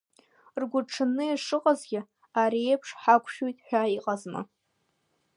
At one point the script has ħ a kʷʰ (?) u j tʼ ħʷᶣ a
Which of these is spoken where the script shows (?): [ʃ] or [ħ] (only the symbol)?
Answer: ʃ